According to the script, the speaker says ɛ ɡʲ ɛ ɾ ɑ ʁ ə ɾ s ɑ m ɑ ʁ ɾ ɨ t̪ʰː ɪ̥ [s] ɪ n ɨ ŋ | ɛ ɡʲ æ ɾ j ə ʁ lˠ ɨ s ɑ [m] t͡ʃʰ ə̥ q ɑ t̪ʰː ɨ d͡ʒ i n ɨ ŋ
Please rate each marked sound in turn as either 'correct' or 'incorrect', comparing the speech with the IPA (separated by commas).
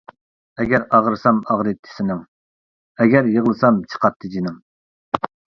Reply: correct, correct